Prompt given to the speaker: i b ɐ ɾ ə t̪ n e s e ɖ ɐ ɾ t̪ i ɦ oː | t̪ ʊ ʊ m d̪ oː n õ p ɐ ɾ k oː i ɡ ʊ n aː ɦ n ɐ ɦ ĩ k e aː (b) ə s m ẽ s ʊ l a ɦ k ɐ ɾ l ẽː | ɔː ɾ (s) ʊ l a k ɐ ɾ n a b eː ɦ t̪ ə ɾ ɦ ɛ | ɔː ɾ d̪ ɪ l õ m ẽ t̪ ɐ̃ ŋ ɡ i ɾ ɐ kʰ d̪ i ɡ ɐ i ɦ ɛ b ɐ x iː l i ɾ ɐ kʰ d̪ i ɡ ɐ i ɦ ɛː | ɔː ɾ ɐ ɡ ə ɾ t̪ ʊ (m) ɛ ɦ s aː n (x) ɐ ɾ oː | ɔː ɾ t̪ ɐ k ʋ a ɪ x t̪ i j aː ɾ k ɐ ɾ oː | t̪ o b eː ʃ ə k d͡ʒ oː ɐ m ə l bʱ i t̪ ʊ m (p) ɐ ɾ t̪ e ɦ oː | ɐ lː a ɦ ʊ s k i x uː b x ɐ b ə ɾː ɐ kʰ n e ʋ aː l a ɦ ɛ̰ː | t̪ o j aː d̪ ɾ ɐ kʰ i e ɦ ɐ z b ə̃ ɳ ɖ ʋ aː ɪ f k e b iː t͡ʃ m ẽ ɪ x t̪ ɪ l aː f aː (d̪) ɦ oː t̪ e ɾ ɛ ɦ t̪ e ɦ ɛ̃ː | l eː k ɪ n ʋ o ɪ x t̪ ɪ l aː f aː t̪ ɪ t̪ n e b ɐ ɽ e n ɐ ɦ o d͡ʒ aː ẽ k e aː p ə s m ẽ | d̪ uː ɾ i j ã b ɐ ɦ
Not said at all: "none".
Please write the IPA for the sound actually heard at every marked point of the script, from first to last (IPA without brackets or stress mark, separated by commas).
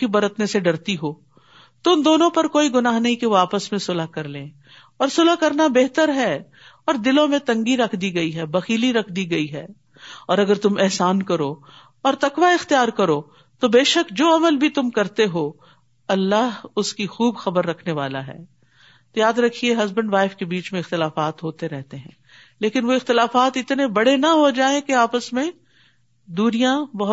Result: p, s, m, k, k, t̪